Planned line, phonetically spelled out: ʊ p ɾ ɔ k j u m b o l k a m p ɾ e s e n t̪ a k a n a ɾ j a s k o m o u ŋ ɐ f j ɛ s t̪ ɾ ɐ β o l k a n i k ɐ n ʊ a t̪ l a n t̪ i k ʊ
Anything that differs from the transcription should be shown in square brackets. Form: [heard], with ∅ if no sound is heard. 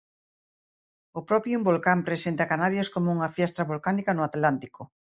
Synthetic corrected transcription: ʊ p ɾ ɔ [p] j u m b o l k a m p ɾ e s e n t̪ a k a n a ɾ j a s k o m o u ŋ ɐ f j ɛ s t̪ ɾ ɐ β o l k a n i k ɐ n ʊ a t̪ l a n t̪ i k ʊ